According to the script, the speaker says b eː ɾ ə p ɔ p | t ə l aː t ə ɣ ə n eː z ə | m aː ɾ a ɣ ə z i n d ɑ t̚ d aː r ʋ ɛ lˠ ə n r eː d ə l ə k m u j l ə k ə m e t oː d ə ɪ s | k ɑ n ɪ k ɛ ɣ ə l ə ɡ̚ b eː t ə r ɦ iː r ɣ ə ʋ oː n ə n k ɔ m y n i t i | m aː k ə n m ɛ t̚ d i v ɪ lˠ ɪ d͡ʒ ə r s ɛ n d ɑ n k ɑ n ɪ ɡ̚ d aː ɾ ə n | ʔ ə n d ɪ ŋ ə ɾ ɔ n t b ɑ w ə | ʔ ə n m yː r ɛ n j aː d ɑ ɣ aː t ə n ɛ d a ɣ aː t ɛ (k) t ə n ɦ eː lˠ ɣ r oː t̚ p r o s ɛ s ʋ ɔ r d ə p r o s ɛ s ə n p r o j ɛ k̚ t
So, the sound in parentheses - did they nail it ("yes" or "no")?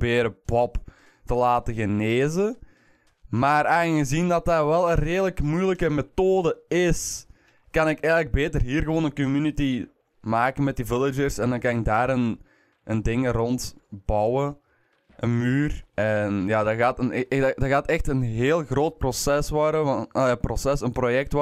no